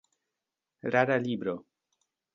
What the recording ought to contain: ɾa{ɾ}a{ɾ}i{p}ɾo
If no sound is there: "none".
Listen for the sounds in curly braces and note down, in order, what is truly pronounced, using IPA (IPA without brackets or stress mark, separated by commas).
ɾ, l, b